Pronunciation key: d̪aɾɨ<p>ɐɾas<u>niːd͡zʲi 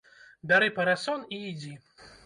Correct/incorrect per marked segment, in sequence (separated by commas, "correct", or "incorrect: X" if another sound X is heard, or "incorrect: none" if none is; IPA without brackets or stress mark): correct, incorrect: ɔ